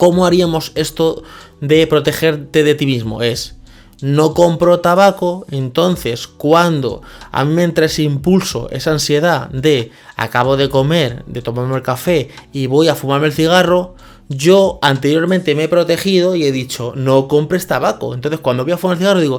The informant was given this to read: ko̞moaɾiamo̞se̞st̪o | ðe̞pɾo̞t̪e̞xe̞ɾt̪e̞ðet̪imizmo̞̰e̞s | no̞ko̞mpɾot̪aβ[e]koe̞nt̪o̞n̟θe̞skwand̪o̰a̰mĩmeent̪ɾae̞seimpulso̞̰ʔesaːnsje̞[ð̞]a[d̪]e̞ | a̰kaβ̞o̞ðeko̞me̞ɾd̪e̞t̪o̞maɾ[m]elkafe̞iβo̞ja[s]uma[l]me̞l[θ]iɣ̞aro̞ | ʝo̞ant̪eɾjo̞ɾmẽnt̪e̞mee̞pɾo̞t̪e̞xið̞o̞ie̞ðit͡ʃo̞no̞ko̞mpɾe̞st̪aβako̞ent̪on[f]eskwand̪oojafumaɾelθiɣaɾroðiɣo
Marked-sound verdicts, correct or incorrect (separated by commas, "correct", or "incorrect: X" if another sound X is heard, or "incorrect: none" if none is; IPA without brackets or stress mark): incorrect: a, correct, correct, correct, incorrect: f, incorrect: ɾ, correct, incorrect: θ